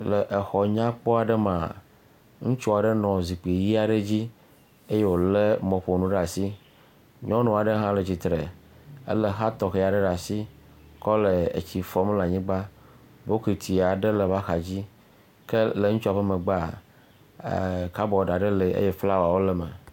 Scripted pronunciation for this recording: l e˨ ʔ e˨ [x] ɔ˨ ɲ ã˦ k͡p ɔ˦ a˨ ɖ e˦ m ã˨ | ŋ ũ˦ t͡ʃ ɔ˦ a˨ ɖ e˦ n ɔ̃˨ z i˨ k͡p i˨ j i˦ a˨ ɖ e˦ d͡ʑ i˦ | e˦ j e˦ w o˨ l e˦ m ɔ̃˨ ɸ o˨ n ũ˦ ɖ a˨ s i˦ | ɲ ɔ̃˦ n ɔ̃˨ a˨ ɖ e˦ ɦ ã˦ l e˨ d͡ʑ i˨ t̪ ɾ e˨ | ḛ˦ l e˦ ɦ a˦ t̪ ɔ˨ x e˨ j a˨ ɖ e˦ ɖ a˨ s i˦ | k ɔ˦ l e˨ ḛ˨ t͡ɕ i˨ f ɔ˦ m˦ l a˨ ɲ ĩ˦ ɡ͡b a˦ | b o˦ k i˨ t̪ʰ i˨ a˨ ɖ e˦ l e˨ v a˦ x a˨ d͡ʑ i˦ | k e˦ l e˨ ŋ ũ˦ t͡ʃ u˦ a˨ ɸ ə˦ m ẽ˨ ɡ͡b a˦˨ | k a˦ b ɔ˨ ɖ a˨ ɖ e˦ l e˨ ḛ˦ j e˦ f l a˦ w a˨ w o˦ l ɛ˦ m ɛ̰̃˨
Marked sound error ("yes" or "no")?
no